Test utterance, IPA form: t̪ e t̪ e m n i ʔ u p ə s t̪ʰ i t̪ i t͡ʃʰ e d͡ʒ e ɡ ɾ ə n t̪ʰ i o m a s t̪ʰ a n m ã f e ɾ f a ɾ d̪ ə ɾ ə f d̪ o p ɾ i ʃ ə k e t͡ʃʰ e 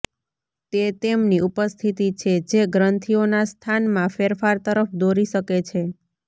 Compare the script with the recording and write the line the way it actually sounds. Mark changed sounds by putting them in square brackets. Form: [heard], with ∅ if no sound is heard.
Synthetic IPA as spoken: t̪ e t̪ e m n i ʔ u p ə s t̪ʰ i t̪ i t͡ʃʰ e d͡ʒ e ɡ ɾ ə n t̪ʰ i o [n] a s t̪ʰ a n m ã f e ɾ f a ɾ [t̪] ə ɾ ə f d̪ o [∅] ɾ i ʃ ə k e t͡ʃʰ e